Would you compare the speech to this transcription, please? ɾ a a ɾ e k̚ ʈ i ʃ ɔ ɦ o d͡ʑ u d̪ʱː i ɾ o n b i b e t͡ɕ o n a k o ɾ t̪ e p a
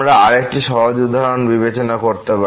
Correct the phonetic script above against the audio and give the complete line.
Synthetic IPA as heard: ɾ a a ɾ e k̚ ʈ i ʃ ɔ ɦ o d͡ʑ u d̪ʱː a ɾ o n b i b e t͡ɕ o n a k o ɾ t̪ e p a